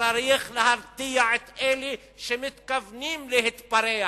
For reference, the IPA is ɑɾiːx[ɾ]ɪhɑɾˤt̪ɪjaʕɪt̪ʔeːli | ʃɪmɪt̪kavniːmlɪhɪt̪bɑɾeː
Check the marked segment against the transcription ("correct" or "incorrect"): incorrect